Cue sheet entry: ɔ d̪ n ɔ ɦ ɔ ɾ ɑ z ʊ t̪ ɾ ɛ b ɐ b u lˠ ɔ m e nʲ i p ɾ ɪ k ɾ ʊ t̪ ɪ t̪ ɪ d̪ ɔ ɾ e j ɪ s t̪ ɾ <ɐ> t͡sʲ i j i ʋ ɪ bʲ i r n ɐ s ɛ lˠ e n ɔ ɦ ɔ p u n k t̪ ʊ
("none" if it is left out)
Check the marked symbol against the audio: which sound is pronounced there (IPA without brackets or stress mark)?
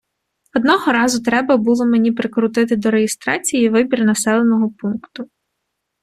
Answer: ɑ